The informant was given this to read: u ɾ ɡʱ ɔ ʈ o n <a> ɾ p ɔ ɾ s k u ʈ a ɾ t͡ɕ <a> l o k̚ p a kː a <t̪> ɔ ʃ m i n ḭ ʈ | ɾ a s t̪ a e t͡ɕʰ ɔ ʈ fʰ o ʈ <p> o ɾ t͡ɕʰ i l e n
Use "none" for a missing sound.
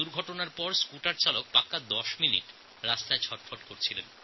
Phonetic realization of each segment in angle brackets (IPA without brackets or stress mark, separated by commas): a, a, d̪, k